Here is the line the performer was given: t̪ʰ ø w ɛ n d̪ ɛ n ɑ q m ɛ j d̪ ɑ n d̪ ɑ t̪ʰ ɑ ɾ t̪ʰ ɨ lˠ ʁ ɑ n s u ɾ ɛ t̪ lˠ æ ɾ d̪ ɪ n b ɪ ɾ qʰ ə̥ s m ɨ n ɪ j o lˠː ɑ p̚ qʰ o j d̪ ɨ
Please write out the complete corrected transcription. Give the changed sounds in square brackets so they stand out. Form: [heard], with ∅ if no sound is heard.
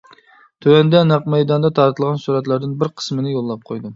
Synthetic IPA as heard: t̪ʰ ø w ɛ n d̪ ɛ n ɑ q m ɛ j d̪ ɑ n d̪ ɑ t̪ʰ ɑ ɾ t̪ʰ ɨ lˠ ʁ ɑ n s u ɾ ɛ t̪ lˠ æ ɾ d̪ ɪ n b ɪ ɾ qʰ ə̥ s m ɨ n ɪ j o lˠː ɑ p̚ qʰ o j d̪ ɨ